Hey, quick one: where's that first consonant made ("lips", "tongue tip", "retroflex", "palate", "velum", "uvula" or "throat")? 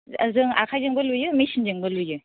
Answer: tongue tip